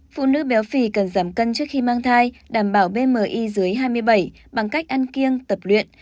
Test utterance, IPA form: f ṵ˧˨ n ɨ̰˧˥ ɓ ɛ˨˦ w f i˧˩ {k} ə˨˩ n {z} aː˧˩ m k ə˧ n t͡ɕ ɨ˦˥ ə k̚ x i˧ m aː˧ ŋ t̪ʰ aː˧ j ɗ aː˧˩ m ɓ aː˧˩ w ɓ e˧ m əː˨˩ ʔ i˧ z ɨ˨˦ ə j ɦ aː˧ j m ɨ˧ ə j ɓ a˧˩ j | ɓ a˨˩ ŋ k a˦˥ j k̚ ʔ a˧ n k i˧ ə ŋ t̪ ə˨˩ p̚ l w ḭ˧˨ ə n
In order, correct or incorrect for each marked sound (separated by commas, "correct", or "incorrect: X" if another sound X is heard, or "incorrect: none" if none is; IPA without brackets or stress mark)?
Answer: correct, correct